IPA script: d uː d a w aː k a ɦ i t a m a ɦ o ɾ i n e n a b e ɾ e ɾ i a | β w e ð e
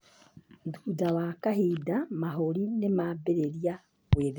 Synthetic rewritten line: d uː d a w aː k a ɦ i d a m a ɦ o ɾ i n e m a b e ɾ e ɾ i a | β w e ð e